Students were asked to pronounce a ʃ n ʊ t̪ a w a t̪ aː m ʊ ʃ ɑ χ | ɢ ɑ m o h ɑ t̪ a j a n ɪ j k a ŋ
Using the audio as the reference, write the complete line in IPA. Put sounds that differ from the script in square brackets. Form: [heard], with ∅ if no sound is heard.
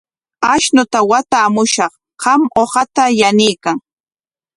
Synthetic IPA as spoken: a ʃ n ʊ t̪ a w a t̪ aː m ʊ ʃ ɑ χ | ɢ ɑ m o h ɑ t̪ a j a n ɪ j k a ŋ